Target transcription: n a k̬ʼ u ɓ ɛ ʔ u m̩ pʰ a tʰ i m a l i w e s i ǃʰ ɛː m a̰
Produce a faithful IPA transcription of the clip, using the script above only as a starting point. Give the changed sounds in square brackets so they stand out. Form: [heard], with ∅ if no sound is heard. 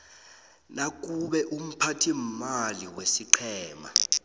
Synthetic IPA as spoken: n a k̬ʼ u ɓ ɛ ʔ u m̩ pʰ a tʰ i m a l i w e s i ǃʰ ɛː m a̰